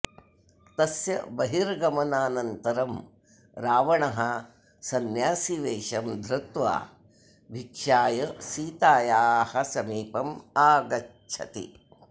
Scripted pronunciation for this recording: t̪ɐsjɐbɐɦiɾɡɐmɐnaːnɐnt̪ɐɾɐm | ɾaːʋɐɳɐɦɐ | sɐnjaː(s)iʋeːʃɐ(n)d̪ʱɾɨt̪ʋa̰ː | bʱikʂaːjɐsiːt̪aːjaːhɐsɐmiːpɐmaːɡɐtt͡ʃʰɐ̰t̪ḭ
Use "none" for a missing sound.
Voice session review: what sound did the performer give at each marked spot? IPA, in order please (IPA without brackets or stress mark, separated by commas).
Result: s, m